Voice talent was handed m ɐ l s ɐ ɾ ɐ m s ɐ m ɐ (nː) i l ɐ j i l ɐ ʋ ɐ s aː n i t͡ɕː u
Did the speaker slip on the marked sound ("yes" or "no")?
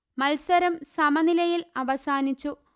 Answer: yes